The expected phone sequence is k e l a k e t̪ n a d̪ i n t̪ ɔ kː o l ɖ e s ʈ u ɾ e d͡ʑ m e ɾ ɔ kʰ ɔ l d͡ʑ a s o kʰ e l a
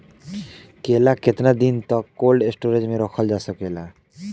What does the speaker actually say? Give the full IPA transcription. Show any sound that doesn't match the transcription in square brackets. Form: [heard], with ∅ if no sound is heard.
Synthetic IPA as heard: k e l a k e t̪ n a d̪ i n t̪ ɔ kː o l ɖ e s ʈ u ɾ e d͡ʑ m e ɾ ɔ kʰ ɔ l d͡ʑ a s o [k] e l a